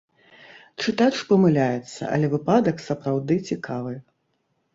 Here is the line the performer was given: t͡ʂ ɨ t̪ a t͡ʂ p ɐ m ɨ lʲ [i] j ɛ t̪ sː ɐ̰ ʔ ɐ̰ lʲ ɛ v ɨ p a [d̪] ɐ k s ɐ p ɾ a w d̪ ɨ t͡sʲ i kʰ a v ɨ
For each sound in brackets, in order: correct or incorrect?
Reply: incorrect, correct

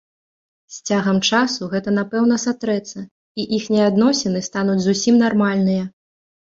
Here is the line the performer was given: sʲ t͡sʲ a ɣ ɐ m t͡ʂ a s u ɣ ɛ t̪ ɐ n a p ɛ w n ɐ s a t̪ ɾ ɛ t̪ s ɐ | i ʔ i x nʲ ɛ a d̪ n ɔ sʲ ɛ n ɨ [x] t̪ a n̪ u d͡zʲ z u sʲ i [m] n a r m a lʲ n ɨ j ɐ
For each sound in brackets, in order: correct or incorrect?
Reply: incorrect, correct

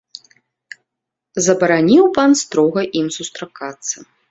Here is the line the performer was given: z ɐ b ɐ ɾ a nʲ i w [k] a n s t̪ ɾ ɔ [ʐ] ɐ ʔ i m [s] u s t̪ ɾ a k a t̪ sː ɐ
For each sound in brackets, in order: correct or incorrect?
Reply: incorrect, incorrect, correct

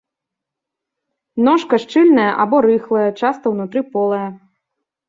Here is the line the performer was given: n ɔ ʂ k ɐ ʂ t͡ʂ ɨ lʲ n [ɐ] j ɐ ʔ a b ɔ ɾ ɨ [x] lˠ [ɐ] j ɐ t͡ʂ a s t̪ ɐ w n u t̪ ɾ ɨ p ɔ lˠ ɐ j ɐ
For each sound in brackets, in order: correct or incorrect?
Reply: correct, correct, correct

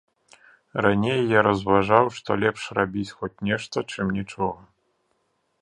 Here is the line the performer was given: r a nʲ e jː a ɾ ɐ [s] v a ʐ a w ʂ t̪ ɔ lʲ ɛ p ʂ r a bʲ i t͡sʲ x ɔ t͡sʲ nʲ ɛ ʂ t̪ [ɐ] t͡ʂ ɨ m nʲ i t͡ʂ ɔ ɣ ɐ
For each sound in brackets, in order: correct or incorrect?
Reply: incorrect, correct

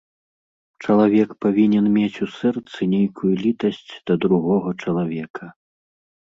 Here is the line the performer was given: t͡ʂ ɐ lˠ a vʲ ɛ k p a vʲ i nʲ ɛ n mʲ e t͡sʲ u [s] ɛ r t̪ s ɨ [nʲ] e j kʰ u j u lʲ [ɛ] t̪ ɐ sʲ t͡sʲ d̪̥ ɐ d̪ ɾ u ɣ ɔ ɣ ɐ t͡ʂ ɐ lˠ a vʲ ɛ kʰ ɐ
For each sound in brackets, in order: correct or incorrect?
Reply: correct, correct, incorrect

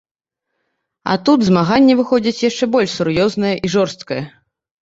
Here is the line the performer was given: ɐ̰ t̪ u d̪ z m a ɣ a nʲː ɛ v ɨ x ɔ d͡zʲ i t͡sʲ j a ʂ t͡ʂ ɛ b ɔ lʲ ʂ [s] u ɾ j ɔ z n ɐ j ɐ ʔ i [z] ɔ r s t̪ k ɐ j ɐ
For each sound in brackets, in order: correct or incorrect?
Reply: correct, incorrect

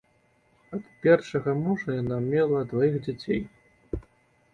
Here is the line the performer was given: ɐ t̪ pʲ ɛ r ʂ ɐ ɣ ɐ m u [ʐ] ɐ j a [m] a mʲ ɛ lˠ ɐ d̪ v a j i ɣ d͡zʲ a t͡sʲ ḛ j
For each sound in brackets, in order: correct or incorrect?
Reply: correct, incorrect

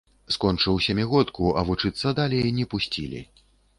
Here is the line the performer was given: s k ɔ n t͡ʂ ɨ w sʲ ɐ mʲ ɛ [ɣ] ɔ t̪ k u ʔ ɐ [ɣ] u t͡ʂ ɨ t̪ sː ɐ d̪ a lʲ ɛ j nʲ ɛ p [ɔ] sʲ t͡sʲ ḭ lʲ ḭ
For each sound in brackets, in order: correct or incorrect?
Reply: correct, incorrect, incorrect

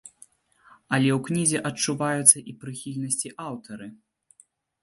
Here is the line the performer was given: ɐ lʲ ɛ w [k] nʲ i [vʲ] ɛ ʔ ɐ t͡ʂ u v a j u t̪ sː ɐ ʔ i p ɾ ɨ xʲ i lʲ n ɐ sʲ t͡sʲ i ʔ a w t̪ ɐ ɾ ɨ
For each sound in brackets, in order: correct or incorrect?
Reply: correct, incorrect

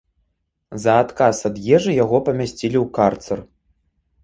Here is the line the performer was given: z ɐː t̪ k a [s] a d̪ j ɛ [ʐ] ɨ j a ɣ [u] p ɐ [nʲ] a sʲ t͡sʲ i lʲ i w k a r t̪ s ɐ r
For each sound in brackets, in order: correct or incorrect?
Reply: correct, correct, incorrect, incorrect

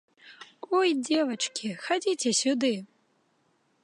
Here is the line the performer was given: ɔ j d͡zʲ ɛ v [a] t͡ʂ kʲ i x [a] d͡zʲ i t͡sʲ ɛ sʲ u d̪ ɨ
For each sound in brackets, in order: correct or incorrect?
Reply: incorrect, correct

